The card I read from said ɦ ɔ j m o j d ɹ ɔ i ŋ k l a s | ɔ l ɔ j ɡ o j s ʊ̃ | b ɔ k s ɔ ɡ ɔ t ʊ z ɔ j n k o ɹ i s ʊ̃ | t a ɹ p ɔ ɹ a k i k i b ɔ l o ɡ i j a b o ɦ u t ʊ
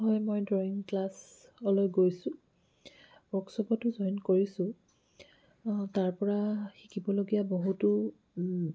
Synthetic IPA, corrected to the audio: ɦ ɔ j m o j d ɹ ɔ i ŋ k l a s | ɔ l ɔ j ɡ o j s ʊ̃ | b ɔ k s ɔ b ɔ t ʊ z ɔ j n k o ɹ i s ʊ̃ | t a ɹ p ɔ ɹ a x i k i b ɔ l o ɡ i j a b o ɦ u t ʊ

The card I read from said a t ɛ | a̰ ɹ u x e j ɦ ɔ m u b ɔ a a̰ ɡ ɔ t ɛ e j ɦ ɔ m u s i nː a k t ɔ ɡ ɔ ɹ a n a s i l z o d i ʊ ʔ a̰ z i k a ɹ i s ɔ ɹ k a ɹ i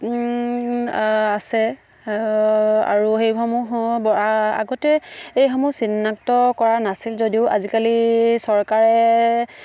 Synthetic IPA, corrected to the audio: a s ɛ | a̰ ɹ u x e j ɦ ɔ m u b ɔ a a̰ ɡ ɔ t ɛ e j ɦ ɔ m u s i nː a k t ɔ k ɔ ɹ a n a s i l z o d i ʊ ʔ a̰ z i k a l i s ɔ ɹ k a ɹ ɛ

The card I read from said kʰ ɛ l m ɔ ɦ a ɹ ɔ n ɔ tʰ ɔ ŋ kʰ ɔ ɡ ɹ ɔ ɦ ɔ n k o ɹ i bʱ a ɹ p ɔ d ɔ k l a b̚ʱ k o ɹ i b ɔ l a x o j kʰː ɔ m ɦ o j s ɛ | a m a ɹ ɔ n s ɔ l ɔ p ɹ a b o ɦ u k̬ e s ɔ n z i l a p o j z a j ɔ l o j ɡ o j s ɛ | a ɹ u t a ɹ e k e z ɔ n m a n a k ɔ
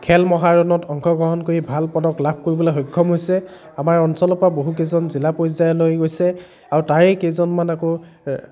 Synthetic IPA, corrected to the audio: kʰ ɛ l m ɔ ɦ a ɹ ɔ n ɔ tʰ ɔ ŋ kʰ ɔ ɡ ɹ ɔ ɦ ɔ n k o ɹ i bʱ a l p ɔ d ɔ k l a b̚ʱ k o ɹ i b ɔ l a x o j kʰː ɔ m ɦ o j s ɛ | a m a ɹ ɔ n s ɔ l ɔ p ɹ a b o ɦ u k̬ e z ɔ n z i l a p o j z a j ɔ l o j ɡ o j s ɛ | a ɹ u t a ɹ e k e z ɔ n m a n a k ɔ

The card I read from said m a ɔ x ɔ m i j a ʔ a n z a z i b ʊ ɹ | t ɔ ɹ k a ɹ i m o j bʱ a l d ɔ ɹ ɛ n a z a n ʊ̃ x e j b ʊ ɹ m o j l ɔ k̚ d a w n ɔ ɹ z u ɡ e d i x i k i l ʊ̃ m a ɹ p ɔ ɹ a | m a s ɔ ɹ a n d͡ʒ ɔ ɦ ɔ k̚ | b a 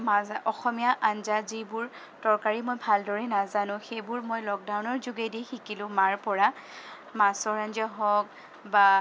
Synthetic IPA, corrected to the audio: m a ɔ x ɔ m i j a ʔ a n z a z i b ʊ ɹ | t ɔ ɹ k a ɹ i m o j bʱ a l d ɔ ɹ ɛ n a z a n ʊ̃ x e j b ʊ ɹ m o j l ɔ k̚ d a w n ɔ ɹ z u ɡ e d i x i k i l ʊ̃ m a ɹ p ɔ ɹ a | m a s ɔ ɹ a n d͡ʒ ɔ ɦ ɔ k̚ | b a

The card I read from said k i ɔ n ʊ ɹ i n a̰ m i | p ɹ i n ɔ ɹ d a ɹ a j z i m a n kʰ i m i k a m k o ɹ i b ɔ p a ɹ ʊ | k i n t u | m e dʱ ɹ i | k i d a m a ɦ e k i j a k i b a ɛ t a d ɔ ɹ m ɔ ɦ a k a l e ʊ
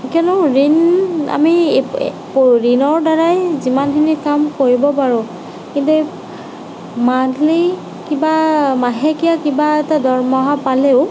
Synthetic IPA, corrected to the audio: k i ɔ n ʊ ɹ i n a̰ m i | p ɹ i n ɔ ɹ d a ɹ a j z i m a n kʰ i n i k a m k o ɹ i b ɔ p a ɹ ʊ | k i n t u | m a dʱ l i | k i b a m a ɦ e k i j a k i b a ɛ t a d ɔ ɹ m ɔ ɦ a p a l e ʊ

